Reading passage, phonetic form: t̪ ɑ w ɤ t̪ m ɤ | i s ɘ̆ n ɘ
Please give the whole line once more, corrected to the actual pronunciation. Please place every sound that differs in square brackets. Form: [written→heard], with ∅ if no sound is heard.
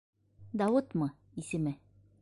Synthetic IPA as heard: [t̪→d̪] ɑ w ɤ t̪ m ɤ | i s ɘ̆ [n→m] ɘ